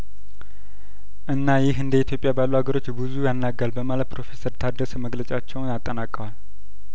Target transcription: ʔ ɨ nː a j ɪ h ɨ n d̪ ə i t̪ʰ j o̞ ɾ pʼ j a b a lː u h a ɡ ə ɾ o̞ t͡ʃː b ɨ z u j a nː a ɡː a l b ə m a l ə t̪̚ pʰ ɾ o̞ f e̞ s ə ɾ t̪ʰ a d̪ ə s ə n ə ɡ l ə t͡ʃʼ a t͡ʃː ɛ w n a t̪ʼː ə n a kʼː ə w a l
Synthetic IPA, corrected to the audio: ʔ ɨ nː a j ɪ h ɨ n d̪ ə i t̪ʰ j o̞ pʼ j a b a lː u h a ɡ ə ɾ o̞ t͡ʃː b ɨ z u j a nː a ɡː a l b ə m a l ə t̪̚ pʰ ɾ o̞ f e̞ s ə ɾ t̪ʰ a d̪ ə s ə m ə ɡ l ə t͡ʃʼ a t͡ʃː ɛ w n a t̪ʼː ə n a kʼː ə w a l